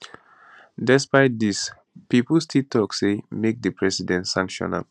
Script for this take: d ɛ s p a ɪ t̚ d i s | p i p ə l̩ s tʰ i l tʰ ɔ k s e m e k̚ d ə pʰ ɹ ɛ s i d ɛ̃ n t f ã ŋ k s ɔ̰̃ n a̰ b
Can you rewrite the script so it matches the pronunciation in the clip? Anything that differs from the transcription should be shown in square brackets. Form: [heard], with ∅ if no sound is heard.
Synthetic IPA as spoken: d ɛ s p a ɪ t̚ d i s | p i p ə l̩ s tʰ i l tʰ ɔ k s e m e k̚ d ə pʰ ɹ ɛ s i d ɛ̃ n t [s] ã ŋ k [ʃ] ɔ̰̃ n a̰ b